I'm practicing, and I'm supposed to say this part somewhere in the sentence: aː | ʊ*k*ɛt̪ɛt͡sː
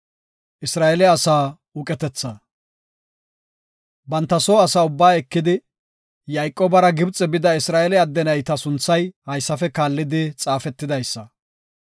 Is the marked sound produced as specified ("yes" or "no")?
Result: no